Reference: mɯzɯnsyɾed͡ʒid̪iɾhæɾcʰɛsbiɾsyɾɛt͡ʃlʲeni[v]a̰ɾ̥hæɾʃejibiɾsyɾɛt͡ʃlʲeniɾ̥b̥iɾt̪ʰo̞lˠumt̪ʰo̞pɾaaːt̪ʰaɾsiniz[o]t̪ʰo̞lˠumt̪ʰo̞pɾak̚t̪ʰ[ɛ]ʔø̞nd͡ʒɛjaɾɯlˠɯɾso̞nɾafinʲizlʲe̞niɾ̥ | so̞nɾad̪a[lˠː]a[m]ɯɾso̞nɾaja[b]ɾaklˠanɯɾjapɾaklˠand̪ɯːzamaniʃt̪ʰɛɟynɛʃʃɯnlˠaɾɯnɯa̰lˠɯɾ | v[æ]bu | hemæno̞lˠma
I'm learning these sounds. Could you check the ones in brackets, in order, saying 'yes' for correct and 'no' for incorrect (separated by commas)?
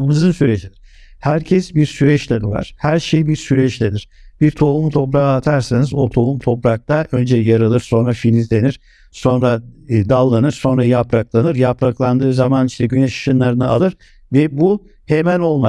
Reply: yes, yes, no, yes, no, no, no